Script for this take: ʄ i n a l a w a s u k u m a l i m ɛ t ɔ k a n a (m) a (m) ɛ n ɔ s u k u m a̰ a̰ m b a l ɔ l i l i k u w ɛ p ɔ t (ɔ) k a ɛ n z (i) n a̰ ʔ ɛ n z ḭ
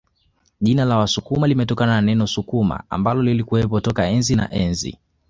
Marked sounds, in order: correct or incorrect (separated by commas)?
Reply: incorrect, incorrect, correct, correct